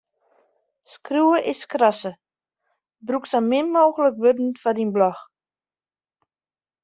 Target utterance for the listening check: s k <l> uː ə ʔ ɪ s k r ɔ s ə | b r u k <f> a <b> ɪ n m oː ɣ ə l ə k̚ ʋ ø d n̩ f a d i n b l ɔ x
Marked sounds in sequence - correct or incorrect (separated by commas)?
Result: incorrect, incorrect, incorrect